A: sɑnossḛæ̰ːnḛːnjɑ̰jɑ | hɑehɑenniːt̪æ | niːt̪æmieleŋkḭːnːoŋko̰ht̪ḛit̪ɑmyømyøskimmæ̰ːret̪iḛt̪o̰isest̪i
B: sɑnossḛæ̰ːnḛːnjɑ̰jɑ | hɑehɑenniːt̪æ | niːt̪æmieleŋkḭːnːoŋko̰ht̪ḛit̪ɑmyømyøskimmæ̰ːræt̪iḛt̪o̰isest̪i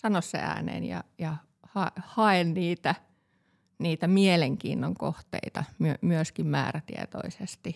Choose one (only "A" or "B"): B